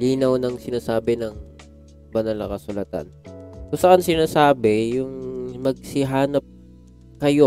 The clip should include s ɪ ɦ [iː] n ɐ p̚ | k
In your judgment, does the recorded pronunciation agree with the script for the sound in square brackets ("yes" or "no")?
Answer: no